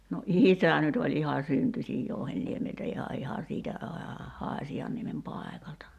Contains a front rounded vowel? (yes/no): yes